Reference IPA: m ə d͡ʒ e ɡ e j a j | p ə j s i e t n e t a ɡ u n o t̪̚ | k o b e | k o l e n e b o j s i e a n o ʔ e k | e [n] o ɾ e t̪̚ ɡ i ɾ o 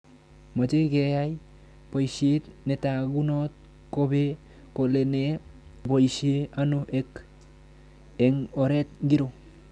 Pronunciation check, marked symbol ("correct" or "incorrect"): incorrect